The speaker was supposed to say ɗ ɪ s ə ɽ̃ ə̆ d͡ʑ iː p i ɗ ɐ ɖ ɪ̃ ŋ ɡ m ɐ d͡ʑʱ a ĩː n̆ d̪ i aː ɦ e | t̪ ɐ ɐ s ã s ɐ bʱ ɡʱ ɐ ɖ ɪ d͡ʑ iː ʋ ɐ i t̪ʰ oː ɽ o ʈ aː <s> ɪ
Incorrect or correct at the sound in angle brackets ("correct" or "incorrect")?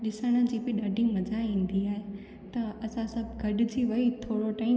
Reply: incorrect